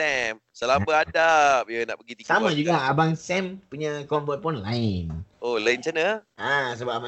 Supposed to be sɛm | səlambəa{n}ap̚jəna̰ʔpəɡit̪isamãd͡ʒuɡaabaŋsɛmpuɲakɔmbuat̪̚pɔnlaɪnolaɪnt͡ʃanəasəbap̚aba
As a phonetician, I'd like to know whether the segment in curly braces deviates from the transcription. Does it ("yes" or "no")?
yes